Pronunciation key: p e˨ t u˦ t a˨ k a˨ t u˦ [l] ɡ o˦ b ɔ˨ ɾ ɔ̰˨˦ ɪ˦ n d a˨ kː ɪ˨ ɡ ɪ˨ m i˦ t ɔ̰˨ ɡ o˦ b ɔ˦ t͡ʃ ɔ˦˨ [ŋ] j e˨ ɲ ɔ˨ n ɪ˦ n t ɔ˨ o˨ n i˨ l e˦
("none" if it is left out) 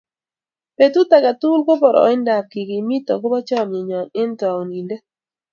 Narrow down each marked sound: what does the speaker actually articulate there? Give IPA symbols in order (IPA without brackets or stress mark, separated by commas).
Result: l, m